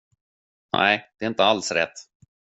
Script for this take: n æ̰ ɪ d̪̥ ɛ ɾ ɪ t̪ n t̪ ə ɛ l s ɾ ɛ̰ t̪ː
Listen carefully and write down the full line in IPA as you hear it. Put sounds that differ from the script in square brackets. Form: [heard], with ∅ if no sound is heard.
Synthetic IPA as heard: n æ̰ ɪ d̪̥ ɛ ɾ ɪ [∅] n t̪ ə [a] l s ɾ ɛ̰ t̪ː